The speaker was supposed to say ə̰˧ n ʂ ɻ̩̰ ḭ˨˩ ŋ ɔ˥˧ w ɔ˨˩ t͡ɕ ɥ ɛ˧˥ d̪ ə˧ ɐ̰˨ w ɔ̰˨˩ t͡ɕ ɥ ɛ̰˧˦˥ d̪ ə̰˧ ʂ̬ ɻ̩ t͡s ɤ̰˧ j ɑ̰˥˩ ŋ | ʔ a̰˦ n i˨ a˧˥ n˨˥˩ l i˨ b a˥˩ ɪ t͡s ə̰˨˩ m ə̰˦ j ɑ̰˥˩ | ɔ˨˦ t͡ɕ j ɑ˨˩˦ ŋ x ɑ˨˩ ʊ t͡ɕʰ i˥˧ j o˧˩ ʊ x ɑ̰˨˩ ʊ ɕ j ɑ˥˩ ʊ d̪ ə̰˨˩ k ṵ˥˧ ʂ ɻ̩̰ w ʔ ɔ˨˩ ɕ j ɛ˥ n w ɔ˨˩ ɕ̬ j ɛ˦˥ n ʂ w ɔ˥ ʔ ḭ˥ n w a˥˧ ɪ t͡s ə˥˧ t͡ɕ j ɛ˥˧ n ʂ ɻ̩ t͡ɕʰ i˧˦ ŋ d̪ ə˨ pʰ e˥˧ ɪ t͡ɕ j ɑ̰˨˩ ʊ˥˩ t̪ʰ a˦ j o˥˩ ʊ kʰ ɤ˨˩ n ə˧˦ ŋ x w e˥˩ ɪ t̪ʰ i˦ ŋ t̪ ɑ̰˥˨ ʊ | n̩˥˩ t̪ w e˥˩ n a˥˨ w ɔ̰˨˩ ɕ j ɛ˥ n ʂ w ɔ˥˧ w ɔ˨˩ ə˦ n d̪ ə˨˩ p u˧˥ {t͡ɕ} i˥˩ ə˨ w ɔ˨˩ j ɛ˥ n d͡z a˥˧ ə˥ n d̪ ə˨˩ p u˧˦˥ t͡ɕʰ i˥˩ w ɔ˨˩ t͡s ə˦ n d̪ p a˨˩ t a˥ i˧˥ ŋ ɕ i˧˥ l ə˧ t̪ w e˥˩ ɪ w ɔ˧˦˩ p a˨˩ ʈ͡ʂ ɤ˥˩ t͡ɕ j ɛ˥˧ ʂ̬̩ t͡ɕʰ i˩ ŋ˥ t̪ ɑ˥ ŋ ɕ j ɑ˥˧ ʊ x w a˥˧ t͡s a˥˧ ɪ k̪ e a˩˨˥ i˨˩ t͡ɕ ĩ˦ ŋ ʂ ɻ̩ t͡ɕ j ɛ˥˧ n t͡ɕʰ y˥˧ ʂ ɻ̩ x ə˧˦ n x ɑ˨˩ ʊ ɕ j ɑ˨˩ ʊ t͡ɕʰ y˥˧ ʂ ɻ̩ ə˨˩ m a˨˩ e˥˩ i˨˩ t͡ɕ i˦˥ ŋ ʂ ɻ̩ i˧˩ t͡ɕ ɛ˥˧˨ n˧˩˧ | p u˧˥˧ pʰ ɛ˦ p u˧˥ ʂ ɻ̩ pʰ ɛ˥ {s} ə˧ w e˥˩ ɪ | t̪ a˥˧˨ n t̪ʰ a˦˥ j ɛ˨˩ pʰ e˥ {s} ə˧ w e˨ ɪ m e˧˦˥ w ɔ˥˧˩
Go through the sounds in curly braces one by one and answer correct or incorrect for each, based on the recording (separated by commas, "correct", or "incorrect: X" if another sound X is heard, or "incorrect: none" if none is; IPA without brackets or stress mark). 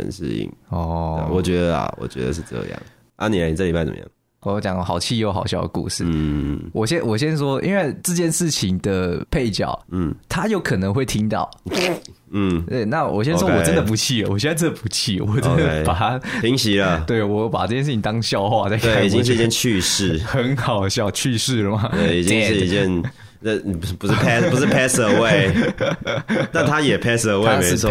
incorrect: t͡ɕʰ, correct, correct